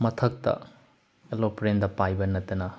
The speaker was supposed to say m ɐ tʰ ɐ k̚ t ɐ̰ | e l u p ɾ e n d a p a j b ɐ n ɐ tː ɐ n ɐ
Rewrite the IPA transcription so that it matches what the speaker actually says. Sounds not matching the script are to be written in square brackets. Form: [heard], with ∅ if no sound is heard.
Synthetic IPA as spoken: m ɐ tʰ ɐ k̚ t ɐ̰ | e l [o] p ɾ e n d [ɐ] p a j b ɐ n ɐ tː ɐ n ɐ

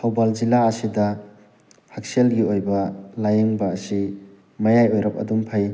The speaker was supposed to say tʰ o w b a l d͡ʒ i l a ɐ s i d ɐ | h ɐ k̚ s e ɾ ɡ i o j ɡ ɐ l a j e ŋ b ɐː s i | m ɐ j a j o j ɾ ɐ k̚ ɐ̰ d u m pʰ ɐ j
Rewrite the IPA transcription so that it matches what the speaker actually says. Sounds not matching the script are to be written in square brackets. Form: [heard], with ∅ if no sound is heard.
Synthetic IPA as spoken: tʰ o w b a l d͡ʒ i l a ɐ s i d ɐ | h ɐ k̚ s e [l] ɡ i o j [b] ɐ l a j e ŋ b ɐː s i | m ɐ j a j o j ɾ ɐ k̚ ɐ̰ d u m pʰ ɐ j

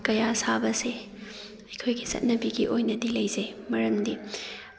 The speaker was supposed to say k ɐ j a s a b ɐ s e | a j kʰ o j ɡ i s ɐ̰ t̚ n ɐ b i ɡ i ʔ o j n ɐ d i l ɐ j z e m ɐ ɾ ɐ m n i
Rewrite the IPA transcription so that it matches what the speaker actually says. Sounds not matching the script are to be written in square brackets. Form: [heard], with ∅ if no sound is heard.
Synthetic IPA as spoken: k ɐ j a s a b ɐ s e | [ɐ] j kʰ o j ɡ i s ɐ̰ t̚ n ɐ b i ɡ i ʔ o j n ɐ d i l ɐ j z e m ɐ ɾ ɐ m [d] i

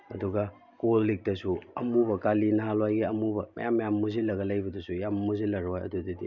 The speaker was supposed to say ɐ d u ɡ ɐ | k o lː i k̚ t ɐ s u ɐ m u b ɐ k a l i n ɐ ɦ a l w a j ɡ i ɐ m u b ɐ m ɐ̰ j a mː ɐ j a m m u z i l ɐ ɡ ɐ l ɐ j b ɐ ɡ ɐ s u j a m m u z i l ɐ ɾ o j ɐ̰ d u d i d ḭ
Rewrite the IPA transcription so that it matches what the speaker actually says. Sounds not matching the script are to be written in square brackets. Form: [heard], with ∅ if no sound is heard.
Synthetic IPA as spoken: ɐ d u ɡ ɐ | k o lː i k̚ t ɐ s u ɐ m u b ɐ k a l i n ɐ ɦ a l w a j ɡ i ɐ m u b ɐ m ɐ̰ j a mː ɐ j a m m u z i l ɐ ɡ ɐ l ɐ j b ɐ [d] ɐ s u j a m m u z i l ɐ ɾ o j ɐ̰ d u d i d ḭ

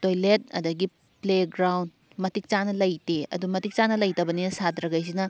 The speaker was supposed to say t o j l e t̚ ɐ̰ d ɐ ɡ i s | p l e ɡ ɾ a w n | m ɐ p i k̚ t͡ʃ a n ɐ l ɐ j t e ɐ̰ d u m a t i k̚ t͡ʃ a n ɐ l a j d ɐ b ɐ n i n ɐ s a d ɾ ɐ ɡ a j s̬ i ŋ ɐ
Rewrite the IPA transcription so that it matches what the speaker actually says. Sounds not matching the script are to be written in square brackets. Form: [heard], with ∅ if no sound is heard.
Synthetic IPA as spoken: t o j l e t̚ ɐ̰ d ɐ ɡ i [∅] | p l e ɡ ɾ a w n | m ɐ [t] i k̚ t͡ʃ a n ɐ l ɐ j t e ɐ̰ d u m [ɐ] t i k̚ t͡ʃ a n ɐ l [ɐ] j [t] ɐ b ɐ n i n ɐ s a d ɾ ɐ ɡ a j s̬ i [n] ɐ

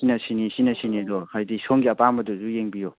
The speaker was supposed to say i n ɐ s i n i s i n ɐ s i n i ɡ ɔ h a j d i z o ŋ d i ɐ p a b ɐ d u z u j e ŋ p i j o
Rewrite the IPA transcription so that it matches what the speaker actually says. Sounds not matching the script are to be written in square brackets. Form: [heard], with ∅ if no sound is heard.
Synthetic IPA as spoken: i n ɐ s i n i s i n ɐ s i n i [d] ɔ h a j d i [s] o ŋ [ɡ] i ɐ p a [m] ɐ d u z u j e ŋ [b] i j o

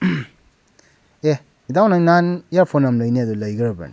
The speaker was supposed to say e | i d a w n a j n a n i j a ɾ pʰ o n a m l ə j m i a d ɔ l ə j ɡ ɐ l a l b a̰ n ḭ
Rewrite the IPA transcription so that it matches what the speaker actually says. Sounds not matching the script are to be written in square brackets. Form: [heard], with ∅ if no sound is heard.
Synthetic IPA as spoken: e | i d a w n a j n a n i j a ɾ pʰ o n a m l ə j [n] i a d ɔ l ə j ɡ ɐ [ɾ] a [∅] b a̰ n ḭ

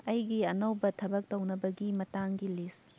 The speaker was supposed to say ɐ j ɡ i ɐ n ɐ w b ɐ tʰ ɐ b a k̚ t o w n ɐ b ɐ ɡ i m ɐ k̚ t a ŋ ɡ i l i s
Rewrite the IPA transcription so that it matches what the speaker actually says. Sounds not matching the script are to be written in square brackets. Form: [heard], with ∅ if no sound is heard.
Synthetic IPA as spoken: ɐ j ɡ i ɐ n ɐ w b ɐ tʰ ɐ b [ɐ] k̚ t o w n ɐ b ɐ ɡ i m ɐ [∅] t a ŋ ɡ i l i s

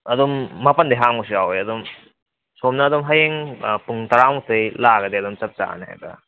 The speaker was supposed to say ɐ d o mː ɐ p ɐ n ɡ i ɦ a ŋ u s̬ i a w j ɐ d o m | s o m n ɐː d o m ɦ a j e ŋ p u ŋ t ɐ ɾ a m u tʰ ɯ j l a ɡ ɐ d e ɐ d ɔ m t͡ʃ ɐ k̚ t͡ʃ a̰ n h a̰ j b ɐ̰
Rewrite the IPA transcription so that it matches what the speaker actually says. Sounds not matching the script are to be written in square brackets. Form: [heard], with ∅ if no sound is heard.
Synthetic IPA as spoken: ɐ d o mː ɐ p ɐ n [d] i ɦ a ŋ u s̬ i a w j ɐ d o m | s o m n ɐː d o m ɦ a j e ŋ p u ŋ t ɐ ɾ a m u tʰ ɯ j l a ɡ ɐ d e ɐ d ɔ m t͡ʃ ɐ [p̚] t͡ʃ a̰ n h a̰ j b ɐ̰

